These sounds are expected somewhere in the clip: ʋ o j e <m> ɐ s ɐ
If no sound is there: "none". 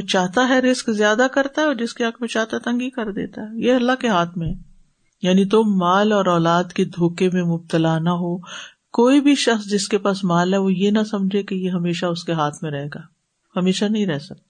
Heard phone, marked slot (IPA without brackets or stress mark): n